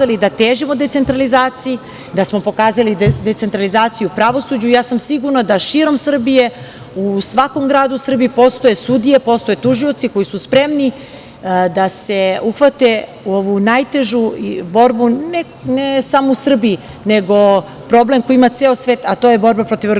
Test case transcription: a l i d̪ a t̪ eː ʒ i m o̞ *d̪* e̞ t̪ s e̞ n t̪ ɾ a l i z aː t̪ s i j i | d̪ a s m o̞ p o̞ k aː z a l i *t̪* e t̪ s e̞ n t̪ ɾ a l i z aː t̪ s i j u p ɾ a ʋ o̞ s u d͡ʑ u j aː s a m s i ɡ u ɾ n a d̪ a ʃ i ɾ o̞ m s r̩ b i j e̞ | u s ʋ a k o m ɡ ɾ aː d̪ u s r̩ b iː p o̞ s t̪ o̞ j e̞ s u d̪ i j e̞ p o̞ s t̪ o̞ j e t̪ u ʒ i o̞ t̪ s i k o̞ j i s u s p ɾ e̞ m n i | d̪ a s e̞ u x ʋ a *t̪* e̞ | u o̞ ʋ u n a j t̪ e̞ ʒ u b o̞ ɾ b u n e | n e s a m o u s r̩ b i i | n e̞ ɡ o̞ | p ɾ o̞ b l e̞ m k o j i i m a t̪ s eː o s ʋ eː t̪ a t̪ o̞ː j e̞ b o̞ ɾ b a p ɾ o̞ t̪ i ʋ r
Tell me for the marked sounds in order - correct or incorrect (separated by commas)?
correct, incorrect, correct